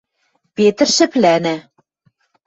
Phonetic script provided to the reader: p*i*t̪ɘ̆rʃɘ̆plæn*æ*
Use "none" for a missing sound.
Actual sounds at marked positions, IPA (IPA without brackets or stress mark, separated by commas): e, æ